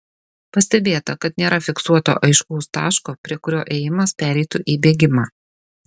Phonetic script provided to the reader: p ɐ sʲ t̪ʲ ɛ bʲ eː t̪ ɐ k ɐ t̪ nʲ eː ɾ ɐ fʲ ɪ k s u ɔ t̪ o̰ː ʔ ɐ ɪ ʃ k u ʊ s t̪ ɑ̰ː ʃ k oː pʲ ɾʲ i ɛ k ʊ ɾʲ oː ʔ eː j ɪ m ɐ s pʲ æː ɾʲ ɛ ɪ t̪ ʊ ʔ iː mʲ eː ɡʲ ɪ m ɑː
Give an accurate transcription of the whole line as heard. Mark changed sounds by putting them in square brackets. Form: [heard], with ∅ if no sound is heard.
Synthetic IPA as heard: p ɐ sʲ t̪ʲ ɛ bʲ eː t̪ ɐ k ɐ t̪ nʲ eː ɾ ɐ fʲ ɪ k s u ɔ t̪ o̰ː ʔ ɐ ɪ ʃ k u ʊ s t̪ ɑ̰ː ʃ k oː pʲ ɾʲ i ɛ k ʊ ɾʲ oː ʔ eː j ɪ m ɐ s pʲ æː ɾʲ ɛ ɪ t̪ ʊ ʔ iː [bʲ] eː ɡʲ ɪ m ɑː